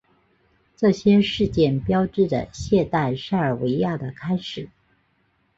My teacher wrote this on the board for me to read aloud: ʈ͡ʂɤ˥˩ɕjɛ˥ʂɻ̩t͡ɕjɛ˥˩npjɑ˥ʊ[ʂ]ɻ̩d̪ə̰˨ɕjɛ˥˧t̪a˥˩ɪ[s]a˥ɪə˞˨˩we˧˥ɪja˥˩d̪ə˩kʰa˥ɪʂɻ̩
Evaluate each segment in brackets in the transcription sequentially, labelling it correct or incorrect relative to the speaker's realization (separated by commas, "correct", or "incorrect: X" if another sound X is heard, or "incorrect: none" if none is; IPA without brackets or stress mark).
incorrect: ʈ͡ʂ, incorrect: ʂ